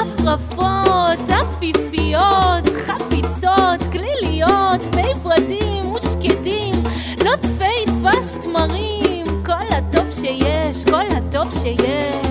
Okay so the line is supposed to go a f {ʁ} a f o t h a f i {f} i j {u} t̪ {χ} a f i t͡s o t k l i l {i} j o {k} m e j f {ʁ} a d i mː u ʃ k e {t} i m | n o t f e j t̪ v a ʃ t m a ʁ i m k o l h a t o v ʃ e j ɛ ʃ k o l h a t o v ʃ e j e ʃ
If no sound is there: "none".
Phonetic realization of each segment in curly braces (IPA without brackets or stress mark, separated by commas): ʁ, f, o, χ, i, t, ʁ, d